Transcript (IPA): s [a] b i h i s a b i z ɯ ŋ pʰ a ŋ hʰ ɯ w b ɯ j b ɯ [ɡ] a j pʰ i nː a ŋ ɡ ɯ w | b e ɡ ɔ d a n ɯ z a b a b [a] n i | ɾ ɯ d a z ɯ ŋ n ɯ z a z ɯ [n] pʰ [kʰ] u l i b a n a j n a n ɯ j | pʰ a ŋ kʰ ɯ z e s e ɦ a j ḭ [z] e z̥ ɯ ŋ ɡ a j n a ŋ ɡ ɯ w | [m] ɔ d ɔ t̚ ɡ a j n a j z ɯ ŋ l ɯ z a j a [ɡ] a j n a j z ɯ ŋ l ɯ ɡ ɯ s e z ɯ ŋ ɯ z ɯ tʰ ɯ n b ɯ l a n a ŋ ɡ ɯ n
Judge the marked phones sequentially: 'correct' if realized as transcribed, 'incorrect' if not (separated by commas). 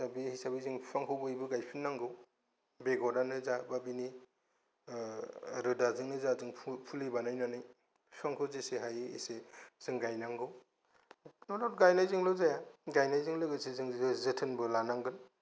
correct, correct, incorrect, incorrect, incorrect, incorrect, incorrect, correct